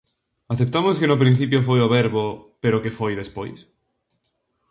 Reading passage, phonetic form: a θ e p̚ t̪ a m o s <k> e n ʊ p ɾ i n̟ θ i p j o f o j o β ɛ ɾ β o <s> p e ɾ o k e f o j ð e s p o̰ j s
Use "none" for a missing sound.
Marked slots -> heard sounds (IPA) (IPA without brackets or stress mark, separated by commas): k, none